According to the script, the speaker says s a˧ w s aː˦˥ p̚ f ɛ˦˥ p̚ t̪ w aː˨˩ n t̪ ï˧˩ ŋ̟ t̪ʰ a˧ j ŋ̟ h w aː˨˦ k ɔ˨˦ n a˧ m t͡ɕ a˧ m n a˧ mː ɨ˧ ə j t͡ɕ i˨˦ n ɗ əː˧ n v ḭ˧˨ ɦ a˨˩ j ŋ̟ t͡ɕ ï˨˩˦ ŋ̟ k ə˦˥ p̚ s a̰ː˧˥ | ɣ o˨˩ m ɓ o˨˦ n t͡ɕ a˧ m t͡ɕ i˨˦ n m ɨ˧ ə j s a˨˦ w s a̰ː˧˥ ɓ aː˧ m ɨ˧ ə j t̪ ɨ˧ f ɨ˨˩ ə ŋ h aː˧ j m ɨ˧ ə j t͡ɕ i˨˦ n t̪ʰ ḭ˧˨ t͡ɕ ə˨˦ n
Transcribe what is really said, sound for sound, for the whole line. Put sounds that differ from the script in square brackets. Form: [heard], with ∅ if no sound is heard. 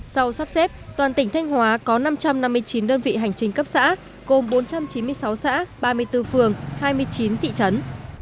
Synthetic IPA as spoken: s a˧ w s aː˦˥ p̚ [s] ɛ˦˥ p̚ t̪ w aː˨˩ n t̪ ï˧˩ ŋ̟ t̪ʰ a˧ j ŋ̟ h w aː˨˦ k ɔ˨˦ n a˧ m t͡ɕ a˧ m n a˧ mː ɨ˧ ə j t͡ɕ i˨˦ n ɗ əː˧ n v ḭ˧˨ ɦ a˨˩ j ŋ̟ t͡ɕ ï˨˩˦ ŋ̟ k ə˦˥ p̚ s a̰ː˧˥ | ɣ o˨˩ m ɓ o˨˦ n t͡ɕ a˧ m t͡ɕ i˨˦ n m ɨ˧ ə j s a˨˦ w s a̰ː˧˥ ɓ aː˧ m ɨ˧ ə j t̪ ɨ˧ f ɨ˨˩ ə ŋ h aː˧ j m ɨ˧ ə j t͡ɕ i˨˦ n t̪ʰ ḭ˧˨ t͡ɕ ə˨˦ n